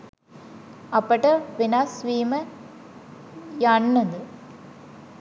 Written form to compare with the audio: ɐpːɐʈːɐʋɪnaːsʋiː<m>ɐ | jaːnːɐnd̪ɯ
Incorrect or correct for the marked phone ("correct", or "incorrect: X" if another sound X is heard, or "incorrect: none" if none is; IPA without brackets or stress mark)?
correct